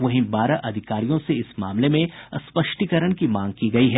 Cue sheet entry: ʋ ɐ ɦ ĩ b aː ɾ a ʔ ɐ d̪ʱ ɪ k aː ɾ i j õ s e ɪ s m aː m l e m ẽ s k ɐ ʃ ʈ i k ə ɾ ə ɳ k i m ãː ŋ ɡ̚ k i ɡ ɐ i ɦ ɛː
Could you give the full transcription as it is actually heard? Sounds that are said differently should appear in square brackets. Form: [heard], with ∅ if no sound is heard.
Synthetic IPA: ʋ ɐ ɦ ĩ b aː ɾ a ʔ ɐ d̪ʱ ɪ k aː ɾ i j õ s e ɪ s m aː m l e m ẽ s [p] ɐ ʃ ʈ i k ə ɾ ə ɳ k i m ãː ŋ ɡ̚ k i ɡ ɐ i ɦ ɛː

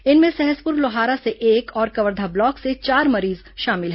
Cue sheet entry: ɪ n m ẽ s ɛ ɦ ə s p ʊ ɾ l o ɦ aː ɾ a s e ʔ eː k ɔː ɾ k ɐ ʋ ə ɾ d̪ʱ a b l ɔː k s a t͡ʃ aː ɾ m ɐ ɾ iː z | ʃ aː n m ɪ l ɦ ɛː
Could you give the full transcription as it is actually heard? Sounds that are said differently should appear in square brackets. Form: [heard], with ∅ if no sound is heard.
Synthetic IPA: ɪ n m ẽ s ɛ ɦ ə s p ʊ ɾ l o ɦ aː ɾ a s e ʔ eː k ɔː ɾ k ɐ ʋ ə ɾ d̪ʱ a b l ɔː k s [e] t͡ʃ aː ɾ m ɐ ɾ iː z | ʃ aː [∅] m ɪ l ɦ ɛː

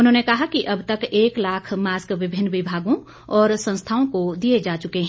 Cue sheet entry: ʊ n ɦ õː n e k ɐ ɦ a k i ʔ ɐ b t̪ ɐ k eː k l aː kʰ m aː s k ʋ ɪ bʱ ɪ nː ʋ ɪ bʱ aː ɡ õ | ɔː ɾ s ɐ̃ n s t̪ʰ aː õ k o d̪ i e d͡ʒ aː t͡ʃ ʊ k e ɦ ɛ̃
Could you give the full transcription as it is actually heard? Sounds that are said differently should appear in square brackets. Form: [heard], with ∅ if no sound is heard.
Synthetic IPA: ʊ n ɦ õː n e k ɐ ɦ a k i ʔ ɐ b t̪ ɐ k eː k l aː kʰ m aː s k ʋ ɪ bʱ ɪ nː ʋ ɪ bʱ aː ɡ õ | ɔː ɾ s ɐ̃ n s t̪ʰ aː õ k o d̪ i e d͡ʒ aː t͡ʃ ʊ k e ɦ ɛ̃

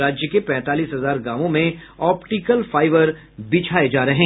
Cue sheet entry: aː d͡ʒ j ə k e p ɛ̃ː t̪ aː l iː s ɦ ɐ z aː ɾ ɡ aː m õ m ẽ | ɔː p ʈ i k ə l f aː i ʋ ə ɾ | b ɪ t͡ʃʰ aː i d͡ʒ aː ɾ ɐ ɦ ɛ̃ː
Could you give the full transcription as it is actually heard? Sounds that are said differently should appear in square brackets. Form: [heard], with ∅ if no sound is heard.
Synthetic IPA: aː d͡ʒ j ə k e p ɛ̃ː t̪ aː l iː s ɦ ɐ z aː ɾ ɡ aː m õ m ẽ | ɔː p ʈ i k ə l f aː [ɪ] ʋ ə ɾ | b ɪ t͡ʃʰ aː [e] d͡ʒ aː ɾ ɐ ɦ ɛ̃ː

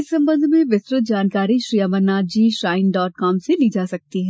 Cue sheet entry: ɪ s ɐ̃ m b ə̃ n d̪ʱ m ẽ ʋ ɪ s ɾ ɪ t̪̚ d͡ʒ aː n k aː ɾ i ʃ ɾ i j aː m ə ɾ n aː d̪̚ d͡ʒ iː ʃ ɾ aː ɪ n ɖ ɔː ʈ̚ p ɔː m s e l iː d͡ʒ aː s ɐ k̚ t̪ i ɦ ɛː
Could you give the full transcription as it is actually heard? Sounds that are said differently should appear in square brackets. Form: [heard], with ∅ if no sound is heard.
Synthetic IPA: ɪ s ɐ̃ m b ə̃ n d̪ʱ m ẽ ʋ ɪ s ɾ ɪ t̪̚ d͡ʒ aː n k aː ɾ i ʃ ɾ i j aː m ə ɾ n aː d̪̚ d͡ʒ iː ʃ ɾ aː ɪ n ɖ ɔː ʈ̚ [k] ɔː m s e l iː d͡ʒ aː s ɐ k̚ t̪ i ɦ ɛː

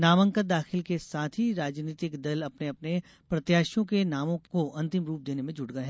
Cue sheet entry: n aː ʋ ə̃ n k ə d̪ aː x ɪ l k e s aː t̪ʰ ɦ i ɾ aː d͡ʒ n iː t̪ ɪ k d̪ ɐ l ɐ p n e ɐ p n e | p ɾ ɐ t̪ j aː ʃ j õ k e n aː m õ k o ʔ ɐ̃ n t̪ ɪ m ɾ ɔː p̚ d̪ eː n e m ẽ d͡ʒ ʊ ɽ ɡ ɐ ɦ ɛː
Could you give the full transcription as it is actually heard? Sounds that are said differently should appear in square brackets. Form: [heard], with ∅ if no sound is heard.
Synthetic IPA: n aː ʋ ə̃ [ŋ] k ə d̪ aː x ɪ l k e s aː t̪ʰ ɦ i ɾ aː d͡ʒ n iː t̪ ɪ k d̪ ɐ l ɐ p n e ɐ p n e | p ɾ ɐ t̪ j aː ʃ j õ k e n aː m õ k o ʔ ɐ̃ n t̪ ɪ m ɾ [uː] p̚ d̪ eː n e m ẽ d͡ʒ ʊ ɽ ɡ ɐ ɦ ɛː

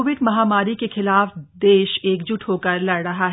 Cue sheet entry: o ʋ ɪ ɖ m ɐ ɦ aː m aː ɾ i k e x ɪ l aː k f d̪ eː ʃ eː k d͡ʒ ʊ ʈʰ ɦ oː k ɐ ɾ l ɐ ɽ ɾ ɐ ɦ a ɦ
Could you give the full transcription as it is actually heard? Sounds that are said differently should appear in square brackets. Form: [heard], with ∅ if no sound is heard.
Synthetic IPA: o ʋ ɪ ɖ m ɐ ɦ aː m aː ɾ i k e x ɪ l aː [∅] f d̪ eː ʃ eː k d͡ʒ ʊ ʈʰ ɦ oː k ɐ ɾ l ɐ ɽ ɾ ɐ ɦ a ɦ

